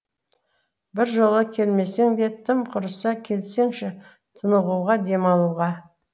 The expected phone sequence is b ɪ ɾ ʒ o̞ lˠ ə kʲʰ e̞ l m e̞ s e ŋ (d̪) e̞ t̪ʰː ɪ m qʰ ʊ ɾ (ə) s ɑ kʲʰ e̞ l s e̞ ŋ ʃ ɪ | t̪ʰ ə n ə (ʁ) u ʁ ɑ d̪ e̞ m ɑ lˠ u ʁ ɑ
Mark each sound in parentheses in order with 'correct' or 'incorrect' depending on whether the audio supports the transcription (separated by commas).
correct, correct, correct